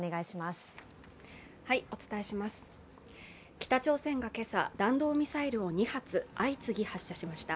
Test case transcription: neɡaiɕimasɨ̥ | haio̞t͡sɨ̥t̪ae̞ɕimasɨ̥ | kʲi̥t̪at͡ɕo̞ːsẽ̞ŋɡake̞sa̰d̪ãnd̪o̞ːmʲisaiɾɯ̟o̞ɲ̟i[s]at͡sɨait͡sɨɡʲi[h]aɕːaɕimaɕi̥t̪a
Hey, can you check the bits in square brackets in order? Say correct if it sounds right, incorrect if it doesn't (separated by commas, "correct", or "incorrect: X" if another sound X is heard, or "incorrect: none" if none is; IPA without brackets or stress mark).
incorrect: h, correct